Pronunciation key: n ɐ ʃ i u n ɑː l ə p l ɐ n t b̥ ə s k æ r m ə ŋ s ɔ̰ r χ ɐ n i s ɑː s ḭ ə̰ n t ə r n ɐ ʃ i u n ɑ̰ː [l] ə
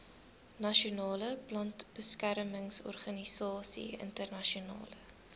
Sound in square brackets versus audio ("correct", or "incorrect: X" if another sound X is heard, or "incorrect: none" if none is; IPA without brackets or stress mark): correct